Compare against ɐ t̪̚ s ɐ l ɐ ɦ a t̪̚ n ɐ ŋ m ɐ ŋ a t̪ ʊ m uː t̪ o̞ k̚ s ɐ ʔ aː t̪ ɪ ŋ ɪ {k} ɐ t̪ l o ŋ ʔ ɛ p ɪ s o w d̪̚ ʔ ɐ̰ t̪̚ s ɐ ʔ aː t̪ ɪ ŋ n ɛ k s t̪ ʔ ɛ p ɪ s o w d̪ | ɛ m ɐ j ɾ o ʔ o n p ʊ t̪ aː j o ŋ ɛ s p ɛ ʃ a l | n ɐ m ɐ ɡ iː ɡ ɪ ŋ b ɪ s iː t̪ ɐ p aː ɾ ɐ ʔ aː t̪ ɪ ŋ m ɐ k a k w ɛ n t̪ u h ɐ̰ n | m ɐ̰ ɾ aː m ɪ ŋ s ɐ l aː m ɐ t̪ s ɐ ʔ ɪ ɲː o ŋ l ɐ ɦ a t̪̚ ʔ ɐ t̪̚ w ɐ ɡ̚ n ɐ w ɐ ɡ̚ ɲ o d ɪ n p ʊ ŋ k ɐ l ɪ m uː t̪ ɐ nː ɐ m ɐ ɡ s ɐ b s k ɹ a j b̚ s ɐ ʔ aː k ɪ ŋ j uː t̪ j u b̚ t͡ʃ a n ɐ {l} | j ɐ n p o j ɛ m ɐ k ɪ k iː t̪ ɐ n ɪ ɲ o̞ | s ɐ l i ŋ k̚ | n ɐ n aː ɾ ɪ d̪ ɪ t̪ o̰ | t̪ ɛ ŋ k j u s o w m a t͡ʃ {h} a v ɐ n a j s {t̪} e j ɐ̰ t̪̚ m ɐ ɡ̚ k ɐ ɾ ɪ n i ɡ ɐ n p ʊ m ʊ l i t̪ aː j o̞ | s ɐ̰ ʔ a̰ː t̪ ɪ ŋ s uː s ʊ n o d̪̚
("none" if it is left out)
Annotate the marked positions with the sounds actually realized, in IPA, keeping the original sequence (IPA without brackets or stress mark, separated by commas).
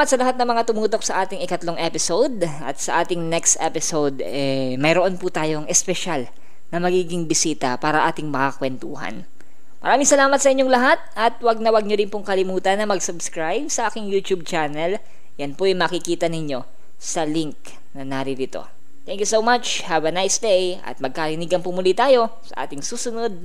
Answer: k, l, h, d̪